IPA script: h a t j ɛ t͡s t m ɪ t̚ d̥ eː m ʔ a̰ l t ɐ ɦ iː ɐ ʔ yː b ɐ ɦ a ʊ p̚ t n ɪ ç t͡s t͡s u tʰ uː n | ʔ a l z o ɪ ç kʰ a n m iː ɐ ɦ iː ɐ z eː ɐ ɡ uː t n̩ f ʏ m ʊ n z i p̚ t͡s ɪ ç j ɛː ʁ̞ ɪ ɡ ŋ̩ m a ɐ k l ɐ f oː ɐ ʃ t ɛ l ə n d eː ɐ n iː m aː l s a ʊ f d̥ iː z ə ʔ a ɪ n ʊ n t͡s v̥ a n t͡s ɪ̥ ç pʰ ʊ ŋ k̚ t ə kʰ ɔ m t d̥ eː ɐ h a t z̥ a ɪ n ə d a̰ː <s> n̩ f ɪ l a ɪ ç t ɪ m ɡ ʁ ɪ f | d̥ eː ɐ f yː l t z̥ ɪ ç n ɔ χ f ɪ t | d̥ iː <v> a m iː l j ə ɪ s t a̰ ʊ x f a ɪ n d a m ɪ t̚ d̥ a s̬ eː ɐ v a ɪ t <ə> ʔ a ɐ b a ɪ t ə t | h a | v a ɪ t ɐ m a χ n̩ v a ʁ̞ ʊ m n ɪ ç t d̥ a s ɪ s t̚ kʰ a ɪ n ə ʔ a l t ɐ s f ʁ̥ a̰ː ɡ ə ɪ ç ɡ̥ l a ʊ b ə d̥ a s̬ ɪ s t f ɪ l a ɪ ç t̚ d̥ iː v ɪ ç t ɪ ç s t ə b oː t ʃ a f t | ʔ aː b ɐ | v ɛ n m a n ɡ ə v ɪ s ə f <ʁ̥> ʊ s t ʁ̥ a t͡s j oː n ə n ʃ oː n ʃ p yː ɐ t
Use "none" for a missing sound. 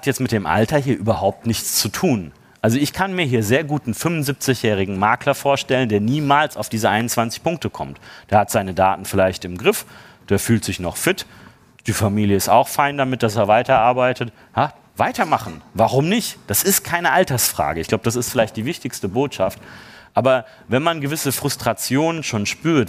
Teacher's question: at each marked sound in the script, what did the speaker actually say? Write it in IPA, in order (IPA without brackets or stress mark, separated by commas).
t, f, ɐ, ʁ̥